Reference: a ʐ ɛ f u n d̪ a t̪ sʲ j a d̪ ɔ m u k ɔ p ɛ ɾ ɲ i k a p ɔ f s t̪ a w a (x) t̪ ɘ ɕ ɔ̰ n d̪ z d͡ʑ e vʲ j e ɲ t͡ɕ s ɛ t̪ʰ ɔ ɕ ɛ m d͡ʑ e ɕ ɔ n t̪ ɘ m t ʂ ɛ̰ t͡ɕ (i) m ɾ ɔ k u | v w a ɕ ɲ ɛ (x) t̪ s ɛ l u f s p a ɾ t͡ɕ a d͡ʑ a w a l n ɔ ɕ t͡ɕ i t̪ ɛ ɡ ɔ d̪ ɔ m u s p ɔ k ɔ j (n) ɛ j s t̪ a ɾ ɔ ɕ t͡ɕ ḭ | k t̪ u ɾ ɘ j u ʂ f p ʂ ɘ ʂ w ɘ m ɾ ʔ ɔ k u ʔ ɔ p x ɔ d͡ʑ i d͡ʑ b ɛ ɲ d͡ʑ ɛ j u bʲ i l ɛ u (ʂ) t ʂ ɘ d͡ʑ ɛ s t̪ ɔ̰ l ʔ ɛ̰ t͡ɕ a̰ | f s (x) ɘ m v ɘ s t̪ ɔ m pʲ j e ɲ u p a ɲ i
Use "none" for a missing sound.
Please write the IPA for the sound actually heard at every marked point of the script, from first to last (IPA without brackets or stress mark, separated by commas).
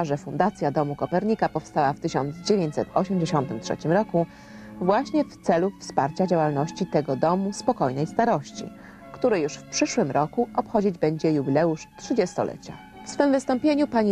f, i, f, n, ʂ, f